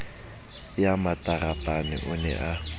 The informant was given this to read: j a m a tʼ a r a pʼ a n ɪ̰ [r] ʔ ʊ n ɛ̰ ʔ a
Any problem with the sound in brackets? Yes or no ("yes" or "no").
yes